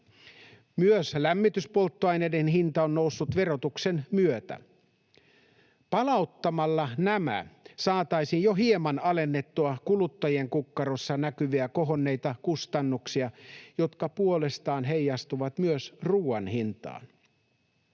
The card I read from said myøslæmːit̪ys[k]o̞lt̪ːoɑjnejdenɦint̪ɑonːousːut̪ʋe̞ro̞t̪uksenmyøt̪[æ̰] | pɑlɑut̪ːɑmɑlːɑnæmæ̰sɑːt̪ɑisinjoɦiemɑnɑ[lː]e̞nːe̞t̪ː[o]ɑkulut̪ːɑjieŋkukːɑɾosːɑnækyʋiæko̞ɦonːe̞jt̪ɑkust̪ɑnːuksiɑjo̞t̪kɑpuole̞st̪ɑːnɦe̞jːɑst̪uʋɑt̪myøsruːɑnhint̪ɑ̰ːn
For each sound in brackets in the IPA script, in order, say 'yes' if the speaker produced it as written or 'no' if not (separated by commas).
no, yes, no, no